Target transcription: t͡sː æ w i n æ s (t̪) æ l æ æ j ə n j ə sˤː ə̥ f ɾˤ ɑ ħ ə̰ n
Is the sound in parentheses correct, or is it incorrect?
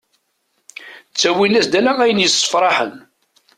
incorrect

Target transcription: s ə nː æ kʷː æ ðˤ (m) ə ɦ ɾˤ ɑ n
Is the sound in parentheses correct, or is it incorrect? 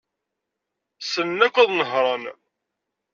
incorrect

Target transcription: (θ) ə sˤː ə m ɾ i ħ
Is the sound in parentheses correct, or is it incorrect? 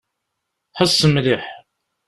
incorrect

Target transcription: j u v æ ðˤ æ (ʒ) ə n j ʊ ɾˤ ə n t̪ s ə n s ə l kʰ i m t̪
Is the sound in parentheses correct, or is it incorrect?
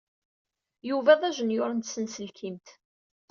correct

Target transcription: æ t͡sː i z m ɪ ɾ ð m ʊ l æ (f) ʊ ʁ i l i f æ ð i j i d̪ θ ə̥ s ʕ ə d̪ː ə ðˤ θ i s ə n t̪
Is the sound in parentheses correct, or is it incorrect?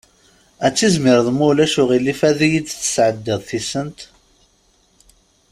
incorrect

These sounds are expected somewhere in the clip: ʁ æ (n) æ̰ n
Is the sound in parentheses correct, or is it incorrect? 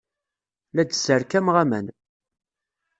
incorrect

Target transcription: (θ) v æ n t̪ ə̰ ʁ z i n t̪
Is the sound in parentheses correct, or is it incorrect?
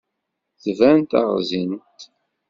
correct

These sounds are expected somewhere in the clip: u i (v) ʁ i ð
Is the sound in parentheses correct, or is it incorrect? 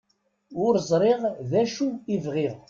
correct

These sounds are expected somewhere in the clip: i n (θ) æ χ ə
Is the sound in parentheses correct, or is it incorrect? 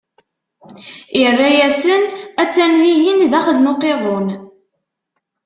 incorrect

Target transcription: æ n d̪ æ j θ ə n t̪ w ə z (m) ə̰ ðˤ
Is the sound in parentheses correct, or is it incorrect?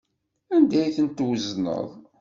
incorrect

